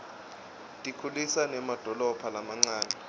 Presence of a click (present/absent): present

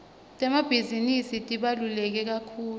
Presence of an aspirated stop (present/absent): present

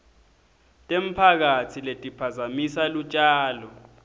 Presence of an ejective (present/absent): present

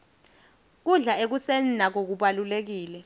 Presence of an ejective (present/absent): absent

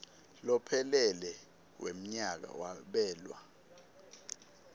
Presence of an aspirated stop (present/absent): present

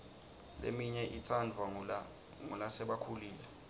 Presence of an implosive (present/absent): present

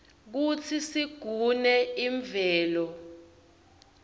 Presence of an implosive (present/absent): absent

